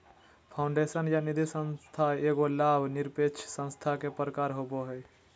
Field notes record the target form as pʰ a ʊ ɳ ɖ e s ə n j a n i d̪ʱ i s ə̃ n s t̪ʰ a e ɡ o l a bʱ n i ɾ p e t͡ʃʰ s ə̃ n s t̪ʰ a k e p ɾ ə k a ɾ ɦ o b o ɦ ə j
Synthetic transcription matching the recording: pʰ a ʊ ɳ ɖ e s ə n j a n i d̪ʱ i s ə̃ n s t̪ʰ a e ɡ o l a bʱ n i ɾ p e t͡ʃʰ s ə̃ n s t̪ʰ a k e p ɾ ə k a ɾ ɦ o b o ɦ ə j